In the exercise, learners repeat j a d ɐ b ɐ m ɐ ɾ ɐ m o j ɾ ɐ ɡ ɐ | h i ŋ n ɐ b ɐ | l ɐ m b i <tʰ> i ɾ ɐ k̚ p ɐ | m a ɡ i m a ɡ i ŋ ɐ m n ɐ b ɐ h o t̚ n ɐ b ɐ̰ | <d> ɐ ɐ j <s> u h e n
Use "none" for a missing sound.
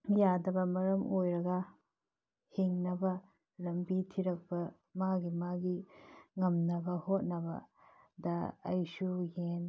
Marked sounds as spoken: tʰ, d, s

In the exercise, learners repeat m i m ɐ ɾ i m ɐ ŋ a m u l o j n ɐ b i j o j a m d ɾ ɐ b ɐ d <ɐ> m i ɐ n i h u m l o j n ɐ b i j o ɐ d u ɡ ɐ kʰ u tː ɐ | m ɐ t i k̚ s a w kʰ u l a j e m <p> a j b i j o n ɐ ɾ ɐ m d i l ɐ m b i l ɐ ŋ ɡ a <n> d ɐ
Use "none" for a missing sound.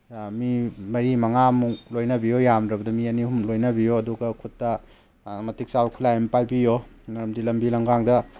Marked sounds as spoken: ɐ, p, ŋ

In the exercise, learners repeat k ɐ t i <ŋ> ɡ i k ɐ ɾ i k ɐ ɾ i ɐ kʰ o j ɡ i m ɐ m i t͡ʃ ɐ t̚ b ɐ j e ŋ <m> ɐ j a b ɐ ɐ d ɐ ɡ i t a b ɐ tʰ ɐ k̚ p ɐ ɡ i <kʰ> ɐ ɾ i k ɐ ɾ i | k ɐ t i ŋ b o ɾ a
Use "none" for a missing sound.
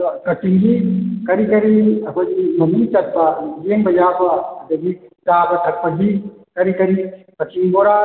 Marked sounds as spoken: ŋ, b, k

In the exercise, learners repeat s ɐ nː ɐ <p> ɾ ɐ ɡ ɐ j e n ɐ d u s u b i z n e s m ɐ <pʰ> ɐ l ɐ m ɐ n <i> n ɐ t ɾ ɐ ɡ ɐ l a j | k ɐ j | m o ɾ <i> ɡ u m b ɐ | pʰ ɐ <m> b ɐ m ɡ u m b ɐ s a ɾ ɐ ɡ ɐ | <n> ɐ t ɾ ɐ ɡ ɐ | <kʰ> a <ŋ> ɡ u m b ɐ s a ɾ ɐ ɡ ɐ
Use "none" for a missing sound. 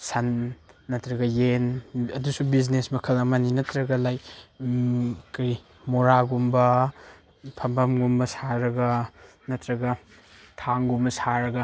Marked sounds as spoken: t, kʰ, i, a, m, n, tʰ, ŋ

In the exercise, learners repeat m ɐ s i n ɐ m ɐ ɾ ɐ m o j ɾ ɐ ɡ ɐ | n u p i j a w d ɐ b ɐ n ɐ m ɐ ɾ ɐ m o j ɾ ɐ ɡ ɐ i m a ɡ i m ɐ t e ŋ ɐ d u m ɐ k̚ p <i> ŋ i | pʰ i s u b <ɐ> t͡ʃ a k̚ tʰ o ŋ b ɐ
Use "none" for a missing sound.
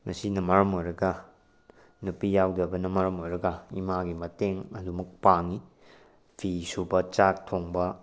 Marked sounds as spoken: a, ɐ

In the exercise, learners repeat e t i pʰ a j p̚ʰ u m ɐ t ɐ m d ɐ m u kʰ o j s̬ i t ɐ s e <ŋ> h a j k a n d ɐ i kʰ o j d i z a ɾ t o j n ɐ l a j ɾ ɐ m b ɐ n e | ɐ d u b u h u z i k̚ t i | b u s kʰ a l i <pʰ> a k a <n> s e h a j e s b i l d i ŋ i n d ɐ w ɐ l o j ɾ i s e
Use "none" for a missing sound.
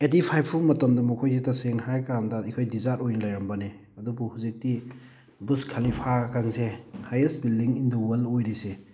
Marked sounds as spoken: ŋ, pʰ, ŋ

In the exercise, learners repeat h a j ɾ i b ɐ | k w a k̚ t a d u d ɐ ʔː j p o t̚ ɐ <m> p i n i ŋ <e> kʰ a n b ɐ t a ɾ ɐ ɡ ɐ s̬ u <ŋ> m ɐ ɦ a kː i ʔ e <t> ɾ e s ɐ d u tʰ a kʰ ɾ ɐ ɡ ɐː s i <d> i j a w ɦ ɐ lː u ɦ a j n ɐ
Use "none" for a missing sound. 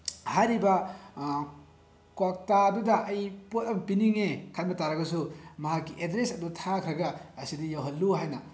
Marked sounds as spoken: m, e, none, d, d

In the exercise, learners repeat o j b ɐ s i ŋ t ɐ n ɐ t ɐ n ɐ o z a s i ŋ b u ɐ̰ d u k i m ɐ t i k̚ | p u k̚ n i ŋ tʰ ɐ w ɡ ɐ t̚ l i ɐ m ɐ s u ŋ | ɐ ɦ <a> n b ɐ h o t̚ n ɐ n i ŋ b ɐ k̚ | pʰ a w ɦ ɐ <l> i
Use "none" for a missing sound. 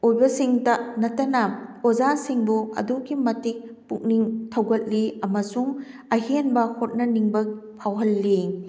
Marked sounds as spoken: e, lː

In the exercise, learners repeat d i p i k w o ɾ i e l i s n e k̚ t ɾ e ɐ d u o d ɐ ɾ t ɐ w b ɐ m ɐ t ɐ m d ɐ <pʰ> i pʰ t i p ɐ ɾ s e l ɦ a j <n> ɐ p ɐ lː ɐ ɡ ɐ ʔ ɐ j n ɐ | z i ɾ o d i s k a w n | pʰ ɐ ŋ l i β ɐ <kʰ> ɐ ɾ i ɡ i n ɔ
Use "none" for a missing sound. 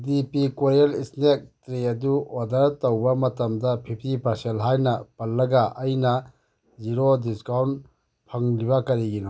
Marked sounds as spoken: pʰ, n, k

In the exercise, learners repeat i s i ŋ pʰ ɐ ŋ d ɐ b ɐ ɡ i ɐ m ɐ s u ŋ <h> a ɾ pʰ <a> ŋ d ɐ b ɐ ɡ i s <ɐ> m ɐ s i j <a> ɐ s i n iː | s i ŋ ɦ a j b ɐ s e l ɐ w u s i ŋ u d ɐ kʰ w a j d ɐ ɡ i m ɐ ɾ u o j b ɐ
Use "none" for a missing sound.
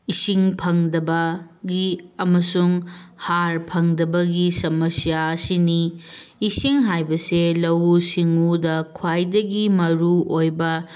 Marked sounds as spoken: h, ɐ, ɐ, a

